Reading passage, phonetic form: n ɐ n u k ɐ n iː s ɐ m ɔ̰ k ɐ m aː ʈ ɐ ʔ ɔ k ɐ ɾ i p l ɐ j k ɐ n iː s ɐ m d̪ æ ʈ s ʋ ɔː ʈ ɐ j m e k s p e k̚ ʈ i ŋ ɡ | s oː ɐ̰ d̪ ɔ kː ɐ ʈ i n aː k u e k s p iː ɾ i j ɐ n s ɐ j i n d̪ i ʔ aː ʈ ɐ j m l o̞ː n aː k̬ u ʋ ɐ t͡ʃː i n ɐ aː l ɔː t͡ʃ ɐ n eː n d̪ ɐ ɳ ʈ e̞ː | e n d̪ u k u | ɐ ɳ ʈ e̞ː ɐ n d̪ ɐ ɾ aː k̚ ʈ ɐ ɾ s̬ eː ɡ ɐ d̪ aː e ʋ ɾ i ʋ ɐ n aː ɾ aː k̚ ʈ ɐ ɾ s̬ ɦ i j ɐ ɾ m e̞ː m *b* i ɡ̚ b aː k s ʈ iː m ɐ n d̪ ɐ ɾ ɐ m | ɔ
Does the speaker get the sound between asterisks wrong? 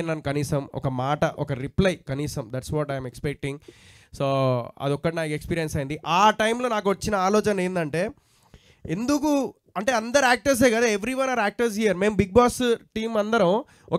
no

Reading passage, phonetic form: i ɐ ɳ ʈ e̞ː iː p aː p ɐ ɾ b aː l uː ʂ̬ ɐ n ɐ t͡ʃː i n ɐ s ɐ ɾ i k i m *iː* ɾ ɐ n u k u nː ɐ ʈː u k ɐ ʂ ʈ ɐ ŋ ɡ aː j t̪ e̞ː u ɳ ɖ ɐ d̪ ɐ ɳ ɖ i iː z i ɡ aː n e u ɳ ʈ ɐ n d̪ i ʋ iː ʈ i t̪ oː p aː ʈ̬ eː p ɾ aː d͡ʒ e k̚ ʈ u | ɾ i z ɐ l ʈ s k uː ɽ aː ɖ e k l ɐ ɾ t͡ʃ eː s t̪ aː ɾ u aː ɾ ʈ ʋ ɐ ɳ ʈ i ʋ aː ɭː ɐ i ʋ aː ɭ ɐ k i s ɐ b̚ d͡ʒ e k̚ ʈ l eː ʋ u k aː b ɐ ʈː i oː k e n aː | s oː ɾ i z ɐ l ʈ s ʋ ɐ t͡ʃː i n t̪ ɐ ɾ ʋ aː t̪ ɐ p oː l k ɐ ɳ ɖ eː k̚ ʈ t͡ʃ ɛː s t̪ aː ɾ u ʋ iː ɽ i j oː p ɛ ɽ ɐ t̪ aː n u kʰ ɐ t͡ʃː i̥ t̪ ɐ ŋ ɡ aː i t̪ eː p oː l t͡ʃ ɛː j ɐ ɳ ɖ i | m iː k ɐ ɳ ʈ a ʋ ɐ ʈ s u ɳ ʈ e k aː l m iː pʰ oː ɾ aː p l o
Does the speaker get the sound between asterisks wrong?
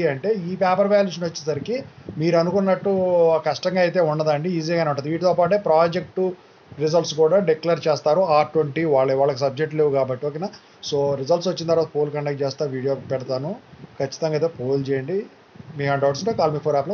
no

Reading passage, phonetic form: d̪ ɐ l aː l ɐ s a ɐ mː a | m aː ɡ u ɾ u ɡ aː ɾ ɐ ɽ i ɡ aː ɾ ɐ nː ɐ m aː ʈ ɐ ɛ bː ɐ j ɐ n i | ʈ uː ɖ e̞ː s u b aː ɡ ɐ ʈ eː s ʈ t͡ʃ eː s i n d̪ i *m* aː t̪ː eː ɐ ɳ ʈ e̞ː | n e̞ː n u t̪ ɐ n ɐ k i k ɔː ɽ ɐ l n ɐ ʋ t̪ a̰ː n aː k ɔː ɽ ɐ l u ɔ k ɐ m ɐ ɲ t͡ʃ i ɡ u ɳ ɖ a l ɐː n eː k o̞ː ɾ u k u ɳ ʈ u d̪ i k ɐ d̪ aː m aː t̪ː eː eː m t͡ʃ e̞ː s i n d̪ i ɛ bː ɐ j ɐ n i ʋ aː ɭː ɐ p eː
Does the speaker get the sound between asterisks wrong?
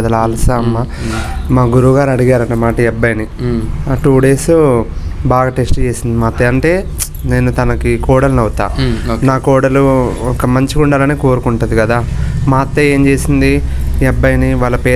no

